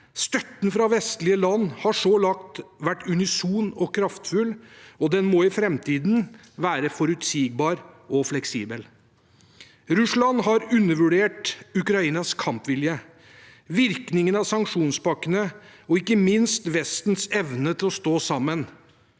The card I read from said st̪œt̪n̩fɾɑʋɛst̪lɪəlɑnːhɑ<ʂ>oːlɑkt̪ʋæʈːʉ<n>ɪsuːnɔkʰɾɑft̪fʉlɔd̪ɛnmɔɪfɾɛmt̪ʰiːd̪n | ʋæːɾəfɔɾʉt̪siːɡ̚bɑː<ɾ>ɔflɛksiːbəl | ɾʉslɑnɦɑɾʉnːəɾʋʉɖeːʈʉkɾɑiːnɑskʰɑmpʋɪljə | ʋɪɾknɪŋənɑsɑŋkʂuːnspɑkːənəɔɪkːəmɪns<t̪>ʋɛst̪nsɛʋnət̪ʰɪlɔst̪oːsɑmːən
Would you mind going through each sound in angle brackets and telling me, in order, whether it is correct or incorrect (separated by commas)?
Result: correct, correct, correct, correct